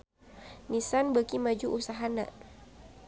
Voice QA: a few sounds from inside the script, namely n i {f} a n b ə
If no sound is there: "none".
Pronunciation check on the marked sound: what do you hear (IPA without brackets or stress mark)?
s